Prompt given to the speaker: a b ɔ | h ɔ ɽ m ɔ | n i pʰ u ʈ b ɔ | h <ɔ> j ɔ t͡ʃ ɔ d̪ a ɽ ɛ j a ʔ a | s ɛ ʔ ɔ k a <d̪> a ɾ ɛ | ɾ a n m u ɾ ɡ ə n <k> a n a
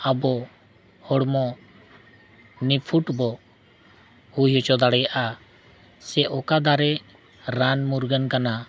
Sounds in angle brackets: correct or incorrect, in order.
incorrect: u, correct, correct

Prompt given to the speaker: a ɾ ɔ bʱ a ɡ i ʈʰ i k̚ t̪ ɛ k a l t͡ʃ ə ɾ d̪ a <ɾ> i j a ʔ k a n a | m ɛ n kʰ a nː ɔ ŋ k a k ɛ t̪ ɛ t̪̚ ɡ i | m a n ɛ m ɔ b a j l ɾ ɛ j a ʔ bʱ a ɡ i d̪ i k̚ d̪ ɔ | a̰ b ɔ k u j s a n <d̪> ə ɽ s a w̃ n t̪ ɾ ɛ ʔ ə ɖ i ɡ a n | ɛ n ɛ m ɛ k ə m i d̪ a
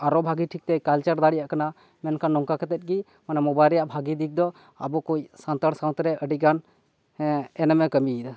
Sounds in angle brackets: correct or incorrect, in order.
incorrect: ɽ, incorrect: t̪

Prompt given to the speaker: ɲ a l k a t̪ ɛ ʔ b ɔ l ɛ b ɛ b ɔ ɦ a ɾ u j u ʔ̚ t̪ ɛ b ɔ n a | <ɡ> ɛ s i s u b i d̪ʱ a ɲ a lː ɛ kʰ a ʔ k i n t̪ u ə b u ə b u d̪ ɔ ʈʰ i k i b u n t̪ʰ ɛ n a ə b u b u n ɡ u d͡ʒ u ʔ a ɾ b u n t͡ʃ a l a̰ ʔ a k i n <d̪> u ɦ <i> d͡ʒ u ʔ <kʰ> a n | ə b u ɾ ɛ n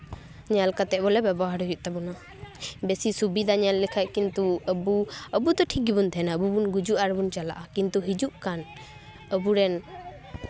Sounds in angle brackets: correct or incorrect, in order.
incorrect: b, incorrect: t̪, correct, incorrect: k

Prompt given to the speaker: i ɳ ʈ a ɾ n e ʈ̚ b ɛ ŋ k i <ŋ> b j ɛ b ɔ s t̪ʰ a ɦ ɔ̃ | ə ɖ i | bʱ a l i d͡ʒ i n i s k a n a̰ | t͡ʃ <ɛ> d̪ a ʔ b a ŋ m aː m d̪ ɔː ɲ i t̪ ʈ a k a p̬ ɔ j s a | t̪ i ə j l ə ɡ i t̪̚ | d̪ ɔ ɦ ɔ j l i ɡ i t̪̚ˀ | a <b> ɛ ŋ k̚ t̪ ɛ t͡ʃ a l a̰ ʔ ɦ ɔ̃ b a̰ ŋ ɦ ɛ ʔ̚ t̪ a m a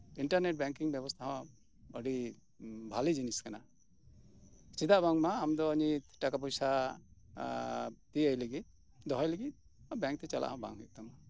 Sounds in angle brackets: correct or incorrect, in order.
correct, incorrect: i, correct

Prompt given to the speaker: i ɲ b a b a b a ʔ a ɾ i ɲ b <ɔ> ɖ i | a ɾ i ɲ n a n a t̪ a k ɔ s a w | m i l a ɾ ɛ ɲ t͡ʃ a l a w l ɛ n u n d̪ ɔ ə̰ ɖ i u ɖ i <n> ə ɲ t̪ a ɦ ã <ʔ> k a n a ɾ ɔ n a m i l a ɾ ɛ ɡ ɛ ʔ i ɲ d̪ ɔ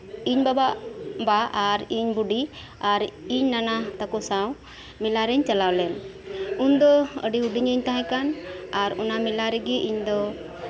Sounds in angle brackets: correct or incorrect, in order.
incorrect: u, incorrect: ɲ, incorrect: none

